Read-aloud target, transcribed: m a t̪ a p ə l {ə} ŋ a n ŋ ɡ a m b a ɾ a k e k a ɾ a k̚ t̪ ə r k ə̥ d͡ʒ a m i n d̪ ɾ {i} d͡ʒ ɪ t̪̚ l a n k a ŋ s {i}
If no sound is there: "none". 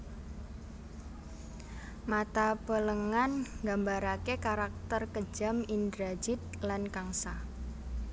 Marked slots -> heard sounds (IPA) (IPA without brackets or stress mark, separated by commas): ə, a, a